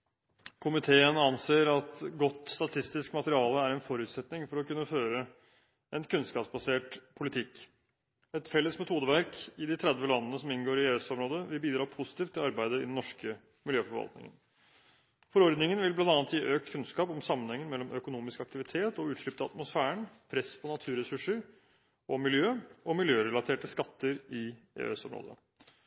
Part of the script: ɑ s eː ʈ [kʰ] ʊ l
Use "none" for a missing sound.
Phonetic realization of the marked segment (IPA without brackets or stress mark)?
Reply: pʰ